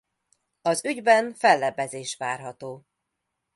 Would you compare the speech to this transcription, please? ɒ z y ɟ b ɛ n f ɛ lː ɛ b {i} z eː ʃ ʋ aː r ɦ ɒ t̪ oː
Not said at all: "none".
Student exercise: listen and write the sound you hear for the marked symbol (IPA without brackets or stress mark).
ɛ